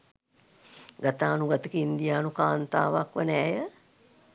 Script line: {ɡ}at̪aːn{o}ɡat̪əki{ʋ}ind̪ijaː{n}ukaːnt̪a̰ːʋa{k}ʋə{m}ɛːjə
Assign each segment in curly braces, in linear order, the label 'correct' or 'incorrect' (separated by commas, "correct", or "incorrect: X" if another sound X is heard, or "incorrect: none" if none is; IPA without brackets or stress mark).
correct, incorrect: u, incorrect: none, correct, correct, incorrect: n